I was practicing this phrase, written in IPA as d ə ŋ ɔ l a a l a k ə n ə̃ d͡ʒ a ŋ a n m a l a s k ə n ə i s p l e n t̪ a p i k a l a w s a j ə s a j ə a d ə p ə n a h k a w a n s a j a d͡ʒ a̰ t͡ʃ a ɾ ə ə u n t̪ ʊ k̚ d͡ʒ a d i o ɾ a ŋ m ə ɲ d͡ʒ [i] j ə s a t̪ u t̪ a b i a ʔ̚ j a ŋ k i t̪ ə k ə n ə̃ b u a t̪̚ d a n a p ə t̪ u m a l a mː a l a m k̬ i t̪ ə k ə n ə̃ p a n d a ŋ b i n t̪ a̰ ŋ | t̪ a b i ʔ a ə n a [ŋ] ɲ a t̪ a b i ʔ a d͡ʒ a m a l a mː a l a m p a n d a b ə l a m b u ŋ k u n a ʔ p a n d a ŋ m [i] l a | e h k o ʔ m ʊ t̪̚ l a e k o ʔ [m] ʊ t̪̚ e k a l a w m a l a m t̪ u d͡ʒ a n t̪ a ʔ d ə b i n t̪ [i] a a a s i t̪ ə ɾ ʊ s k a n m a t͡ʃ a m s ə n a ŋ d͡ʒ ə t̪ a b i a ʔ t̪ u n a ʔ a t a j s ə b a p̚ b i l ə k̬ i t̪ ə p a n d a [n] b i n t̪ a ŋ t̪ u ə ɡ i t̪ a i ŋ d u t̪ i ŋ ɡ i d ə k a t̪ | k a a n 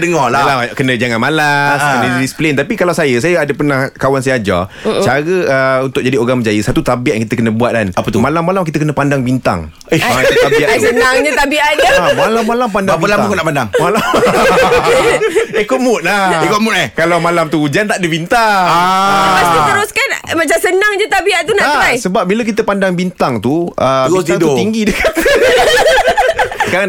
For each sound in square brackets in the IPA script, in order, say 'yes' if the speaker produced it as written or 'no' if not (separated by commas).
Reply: no, yes, no, yes, no, no